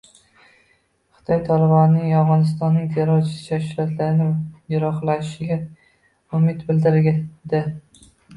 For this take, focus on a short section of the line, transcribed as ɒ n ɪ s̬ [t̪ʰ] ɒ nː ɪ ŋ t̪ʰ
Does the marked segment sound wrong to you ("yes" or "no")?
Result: yes